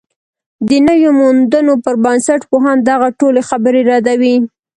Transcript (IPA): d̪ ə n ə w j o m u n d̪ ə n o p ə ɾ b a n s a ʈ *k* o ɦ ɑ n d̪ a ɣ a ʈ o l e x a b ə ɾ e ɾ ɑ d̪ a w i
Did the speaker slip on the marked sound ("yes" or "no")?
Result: yes